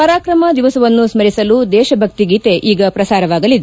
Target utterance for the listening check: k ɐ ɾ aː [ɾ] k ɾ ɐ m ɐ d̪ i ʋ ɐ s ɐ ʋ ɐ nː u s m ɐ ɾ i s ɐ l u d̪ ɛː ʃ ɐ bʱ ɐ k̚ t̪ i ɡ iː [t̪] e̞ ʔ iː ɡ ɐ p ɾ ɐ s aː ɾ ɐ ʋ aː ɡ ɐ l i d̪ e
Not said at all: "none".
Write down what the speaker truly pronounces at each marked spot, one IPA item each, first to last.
none, t̪

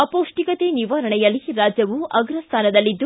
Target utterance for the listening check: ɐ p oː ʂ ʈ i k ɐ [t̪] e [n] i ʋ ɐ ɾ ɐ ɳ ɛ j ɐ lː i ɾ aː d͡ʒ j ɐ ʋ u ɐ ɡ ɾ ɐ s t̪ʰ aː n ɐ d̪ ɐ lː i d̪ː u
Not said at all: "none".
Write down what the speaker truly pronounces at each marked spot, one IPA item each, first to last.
t̪, n

